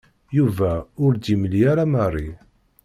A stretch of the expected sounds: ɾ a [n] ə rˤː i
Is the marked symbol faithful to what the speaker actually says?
no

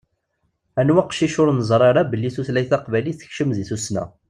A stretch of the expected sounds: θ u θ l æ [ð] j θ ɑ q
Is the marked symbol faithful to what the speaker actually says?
no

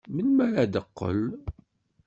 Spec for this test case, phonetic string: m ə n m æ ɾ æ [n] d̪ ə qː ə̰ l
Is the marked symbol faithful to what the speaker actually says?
no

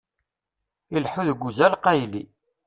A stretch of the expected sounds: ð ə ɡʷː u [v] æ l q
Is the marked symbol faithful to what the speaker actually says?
no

